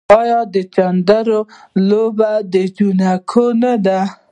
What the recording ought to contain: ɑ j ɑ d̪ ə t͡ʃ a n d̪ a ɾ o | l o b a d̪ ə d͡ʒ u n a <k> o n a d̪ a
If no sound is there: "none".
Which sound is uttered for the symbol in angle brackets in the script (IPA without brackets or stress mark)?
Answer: kʰ